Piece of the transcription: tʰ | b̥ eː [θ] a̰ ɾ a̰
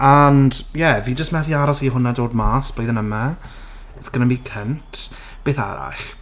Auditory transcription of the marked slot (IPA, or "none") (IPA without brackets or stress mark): θ